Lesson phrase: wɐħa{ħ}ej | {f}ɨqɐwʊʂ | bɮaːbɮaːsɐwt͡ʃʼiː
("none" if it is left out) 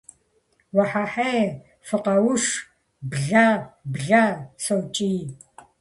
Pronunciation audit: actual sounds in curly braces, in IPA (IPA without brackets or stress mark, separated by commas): ħ, f